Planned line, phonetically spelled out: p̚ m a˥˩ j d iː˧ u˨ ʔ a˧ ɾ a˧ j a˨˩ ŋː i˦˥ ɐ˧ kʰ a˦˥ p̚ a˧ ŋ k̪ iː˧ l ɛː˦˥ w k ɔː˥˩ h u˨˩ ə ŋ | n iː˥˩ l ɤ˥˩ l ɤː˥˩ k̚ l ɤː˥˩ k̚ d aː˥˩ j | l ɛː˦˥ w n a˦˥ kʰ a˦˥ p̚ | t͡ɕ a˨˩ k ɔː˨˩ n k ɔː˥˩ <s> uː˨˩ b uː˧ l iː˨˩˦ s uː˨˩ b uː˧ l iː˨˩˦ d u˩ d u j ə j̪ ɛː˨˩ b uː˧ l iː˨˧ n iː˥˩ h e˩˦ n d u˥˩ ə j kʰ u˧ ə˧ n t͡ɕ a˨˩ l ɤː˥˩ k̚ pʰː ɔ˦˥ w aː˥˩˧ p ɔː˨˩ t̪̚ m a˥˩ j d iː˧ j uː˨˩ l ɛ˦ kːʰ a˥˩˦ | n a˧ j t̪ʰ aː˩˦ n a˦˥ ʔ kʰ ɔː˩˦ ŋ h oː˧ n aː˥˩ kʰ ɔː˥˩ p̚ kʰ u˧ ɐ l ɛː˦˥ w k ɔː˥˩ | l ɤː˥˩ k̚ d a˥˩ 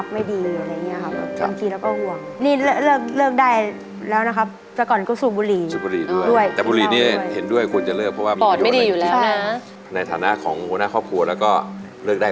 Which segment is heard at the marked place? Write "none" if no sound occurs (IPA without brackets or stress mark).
s